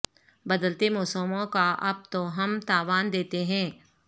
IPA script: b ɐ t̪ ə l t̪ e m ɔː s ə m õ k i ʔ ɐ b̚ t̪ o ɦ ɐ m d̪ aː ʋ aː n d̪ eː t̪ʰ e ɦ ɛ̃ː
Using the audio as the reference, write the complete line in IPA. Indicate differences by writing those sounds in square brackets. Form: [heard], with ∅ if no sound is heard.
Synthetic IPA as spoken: b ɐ [d̪] ə l t̪ e m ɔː s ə m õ k [a] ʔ ɐ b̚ t̪ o ɦ ɐ m [t̪] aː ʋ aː n d̪ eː [t̪] e ɦ ɛ̃ː